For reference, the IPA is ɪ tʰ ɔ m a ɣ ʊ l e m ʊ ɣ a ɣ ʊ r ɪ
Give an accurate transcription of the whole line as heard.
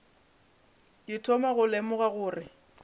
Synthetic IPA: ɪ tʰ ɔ m a ɣ ʊ l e m ʊ ɣ a ɣ ʊː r ɪ